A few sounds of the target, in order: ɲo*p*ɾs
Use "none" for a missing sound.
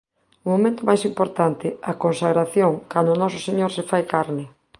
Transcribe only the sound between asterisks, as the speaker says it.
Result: none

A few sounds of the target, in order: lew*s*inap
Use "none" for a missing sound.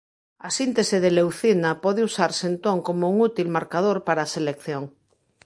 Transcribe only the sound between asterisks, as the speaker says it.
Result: θ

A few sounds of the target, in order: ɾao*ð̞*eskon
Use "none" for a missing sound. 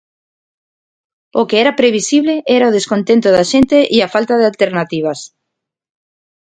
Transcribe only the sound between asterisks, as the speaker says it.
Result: ð̞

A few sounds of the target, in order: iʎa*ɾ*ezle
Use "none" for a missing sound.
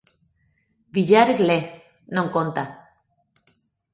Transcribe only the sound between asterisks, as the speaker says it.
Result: ɾ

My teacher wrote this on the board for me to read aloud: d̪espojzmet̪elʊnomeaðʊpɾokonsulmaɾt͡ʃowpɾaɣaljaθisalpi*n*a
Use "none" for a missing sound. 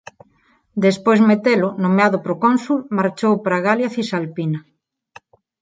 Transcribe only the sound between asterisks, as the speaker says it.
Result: n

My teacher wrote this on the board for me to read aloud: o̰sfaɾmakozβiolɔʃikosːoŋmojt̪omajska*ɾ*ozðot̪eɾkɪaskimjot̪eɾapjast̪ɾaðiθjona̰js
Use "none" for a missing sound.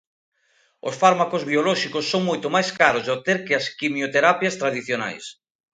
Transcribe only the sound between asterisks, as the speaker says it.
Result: ɾ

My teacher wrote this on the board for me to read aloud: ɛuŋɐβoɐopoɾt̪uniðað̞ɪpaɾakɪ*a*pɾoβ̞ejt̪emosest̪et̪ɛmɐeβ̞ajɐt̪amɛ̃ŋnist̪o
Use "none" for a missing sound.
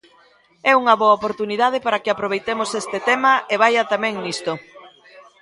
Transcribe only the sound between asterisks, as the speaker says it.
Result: a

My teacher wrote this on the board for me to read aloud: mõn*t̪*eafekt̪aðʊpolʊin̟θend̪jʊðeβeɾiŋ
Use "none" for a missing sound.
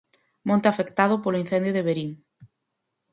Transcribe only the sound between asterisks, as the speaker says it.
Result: t̪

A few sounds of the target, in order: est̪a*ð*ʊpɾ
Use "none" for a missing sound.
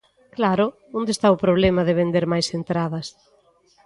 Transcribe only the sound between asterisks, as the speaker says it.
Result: none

